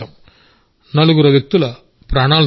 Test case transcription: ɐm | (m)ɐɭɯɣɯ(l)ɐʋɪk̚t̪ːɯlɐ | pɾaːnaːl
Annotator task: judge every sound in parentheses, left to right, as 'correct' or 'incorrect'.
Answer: incorrect, incorrect

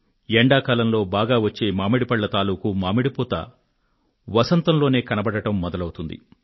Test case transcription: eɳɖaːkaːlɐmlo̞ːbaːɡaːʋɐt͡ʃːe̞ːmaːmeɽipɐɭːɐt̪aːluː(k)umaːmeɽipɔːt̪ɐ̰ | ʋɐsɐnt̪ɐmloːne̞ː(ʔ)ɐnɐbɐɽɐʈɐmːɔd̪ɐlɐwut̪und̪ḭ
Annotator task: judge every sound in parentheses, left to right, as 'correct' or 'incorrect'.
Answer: correct, incorrect

